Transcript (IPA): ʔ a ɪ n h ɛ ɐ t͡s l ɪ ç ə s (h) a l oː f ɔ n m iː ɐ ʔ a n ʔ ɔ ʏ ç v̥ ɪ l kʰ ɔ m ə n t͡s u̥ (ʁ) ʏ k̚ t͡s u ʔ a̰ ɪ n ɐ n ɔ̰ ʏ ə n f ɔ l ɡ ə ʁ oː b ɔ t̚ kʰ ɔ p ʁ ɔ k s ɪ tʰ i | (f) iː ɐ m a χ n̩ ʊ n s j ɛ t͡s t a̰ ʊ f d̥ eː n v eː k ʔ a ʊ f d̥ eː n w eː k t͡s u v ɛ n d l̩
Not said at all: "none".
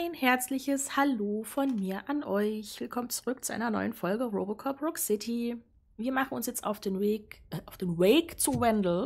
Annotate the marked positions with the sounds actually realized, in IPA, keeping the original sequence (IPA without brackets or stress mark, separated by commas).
h, ʁ, v